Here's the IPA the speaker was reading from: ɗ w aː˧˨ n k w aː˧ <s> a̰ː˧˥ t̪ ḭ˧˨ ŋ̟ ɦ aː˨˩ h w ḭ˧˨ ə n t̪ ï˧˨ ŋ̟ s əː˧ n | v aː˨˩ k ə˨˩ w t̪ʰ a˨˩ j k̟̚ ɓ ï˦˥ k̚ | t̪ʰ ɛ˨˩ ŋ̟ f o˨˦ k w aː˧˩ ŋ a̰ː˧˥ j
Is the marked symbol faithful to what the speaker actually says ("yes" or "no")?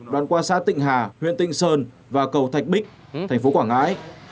yes